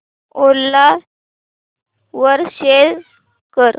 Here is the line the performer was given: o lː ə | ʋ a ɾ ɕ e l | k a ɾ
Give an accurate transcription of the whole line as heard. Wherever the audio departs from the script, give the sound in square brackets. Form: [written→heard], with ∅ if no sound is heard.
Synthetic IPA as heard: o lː [ə→a] | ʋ [a→ə] ɾ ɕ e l | k [a→ə] ɾ